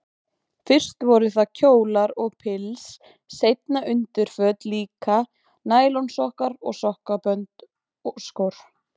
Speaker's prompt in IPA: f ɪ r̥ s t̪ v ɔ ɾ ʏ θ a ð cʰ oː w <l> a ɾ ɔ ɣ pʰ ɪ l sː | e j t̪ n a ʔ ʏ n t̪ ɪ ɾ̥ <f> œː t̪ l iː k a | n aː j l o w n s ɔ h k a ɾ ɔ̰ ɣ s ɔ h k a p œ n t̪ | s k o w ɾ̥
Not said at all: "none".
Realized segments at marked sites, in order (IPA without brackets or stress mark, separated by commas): l, f